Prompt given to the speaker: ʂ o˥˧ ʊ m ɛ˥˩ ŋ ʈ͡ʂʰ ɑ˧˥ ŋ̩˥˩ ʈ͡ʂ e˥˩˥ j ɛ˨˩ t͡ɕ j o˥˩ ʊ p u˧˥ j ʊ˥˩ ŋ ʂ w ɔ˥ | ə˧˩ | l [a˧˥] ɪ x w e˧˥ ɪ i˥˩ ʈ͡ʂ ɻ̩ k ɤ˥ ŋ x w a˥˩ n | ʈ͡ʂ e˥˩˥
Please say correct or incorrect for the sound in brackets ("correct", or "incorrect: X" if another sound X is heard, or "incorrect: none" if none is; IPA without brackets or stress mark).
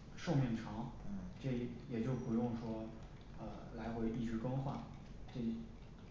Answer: correct